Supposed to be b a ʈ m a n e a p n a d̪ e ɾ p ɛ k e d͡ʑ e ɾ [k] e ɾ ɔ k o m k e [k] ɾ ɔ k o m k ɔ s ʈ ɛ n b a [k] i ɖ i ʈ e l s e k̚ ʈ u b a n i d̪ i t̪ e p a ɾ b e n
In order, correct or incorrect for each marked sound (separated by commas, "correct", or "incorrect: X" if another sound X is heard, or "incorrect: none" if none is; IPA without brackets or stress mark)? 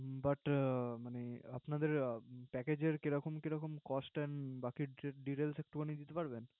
correct, incorrect: none, correct